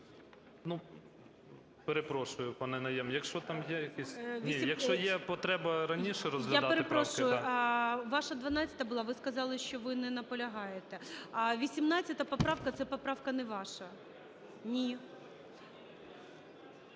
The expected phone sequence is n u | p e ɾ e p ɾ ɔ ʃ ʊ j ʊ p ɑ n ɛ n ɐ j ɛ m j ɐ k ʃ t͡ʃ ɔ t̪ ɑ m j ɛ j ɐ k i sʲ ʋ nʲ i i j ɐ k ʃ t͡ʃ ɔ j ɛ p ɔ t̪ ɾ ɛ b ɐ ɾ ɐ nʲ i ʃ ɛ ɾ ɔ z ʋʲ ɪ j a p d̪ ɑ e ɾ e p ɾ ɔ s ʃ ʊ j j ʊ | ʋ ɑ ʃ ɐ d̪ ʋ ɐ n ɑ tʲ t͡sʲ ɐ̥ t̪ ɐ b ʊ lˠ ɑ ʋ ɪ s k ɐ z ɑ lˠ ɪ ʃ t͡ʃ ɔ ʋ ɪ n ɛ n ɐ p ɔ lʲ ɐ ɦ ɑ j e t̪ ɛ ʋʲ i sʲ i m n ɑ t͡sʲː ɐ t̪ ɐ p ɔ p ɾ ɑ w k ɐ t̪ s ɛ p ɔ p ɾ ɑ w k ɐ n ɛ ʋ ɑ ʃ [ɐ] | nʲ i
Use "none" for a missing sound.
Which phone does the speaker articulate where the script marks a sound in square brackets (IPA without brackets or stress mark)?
ɐ